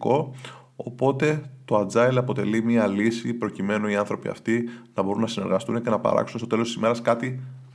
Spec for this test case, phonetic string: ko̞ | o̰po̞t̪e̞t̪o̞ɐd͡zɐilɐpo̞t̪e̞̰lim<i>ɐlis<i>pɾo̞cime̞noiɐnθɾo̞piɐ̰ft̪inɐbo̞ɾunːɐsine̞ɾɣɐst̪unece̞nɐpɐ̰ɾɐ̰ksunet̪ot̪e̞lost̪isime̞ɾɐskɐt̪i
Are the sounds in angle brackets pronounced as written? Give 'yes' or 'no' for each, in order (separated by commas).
yes, yes